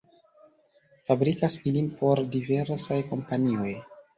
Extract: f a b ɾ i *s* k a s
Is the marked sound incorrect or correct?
incorrect